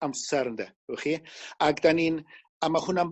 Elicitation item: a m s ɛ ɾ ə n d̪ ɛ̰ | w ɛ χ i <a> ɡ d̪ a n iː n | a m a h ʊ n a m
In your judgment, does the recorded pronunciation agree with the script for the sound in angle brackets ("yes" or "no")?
yes